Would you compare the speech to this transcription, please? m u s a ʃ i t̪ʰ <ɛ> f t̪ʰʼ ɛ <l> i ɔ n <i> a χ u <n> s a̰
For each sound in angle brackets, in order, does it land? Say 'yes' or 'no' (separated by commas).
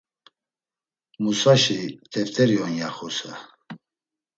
yes, no, no, no